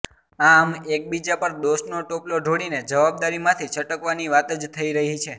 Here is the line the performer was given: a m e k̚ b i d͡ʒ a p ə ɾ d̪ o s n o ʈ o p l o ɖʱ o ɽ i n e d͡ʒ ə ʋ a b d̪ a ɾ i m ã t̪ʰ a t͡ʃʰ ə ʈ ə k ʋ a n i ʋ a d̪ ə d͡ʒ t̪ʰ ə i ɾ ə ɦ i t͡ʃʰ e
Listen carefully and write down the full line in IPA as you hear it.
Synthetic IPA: a m e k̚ b i d͡ʒ a p ə ɾ d̪ o s n o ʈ o p l o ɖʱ o ɽ i n e d͡ʒ ə ʋ a b d̪ a ɾ i m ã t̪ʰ i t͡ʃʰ ə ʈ ə k ʋ a n i ʋ a t̪ ə d͡ʒ t̪ʰ ə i ɾ ə ɦ i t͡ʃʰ e